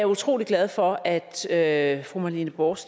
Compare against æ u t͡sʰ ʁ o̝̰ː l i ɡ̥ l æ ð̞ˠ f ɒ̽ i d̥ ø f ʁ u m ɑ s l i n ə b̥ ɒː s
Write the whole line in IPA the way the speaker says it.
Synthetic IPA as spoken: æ u t͡sʰ ʁ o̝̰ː l i ɡ̥ l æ ð̞ˠ f ɒ̽ æ d̥ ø f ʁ u m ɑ l i n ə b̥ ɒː s